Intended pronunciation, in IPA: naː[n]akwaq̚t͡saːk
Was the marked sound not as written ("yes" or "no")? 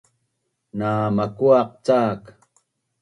yes